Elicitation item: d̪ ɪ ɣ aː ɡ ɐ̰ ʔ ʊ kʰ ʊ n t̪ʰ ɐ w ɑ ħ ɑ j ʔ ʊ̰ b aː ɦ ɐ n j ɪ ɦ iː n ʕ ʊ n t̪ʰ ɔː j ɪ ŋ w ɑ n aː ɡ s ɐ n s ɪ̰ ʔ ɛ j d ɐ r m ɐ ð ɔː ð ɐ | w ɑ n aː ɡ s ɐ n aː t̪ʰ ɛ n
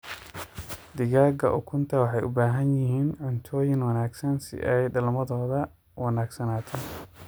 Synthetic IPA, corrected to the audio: d̪ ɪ ɣ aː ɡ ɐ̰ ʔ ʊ kʰ ʊ n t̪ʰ ɐ w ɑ ħ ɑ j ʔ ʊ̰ b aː ɦ ɐ n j ɪ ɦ iː n ʕ ʊ n t̪ʰ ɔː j ɪ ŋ w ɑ n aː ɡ s ɐ n s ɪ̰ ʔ ɛ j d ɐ l m ɐ ð ɔː ð ɐ | w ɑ n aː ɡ s ɐ n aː t̪ʰ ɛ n